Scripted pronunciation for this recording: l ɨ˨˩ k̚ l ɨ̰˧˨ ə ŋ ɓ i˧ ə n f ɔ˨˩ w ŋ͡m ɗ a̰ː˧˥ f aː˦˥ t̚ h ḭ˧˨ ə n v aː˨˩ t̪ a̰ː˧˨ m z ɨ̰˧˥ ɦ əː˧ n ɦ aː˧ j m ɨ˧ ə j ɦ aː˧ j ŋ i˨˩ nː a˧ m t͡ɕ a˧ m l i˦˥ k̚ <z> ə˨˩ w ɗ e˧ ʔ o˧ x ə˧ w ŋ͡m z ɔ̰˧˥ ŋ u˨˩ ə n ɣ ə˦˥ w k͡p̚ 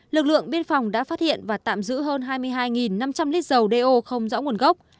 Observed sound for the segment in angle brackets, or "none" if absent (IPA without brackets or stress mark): z